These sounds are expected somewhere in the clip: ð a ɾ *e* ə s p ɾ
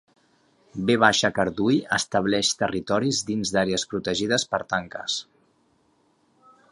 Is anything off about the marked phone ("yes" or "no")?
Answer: no